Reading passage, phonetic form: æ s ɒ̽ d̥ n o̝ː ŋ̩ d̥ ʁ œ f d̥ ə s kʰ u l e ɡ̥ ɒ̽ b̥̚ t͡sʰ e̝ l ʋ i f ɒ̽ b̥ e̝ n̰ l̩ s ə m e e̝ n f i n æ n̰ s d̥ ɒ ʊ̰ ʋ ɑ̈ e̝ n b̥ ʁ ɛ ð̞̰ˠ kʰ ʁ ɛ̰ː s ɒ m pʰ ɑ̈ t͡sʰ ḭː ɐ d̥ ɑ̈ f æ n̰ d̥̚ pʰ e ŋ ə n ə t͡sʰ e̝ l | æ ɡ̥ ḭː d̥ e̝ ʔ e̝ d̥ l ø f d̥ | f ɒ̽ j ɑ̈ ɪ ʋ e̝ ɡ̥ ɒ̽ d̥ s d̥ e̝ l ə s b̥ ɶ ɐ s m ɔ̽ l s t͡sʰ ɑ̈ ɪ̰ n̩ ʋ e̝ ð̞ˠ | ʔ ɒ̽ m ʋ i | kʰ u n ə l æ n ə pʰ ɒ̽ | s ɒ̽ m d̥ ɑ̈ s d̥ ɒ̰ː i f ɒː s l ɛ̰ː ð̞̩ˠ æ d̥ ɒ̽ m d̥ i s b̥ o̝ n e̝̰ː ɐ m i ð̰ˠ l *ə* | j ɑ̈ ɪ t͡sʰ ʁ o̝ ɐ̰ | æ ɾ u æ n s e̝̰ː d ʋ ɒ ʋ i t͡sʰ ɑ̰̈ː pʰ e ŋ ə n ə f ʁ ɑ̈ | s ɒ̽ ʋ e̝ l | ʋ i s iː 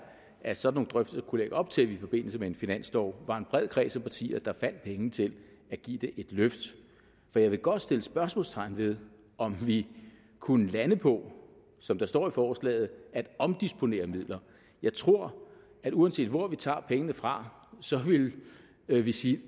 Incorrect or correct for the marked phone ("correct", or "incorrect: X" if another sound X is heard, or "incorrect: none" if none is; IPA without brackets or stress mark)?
incorrect: ɐ